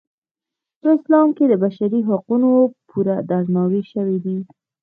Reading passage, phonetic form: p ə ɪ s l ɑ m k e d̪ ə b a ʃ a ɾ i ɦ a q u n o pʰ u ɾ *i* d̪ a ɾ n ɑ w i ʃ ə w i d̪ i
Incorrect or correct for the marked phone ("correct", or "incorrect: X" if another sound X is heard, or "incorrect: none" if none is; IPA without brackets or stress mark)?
incorrect: a